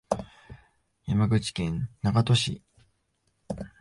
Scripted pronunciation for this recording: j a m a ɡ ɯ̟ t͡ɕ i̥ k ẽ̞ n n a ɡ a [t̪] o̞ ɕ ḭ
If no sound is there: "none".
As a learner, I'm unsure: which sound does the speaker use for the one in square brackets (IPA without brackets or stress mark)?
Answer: t̪